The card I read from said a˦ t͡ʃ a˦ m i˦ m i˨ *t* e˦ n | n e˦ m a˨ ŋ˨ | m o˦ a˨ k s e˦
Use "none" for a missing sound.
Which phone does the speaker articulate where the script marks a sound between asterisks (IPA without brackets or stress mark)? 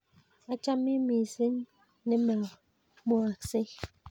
s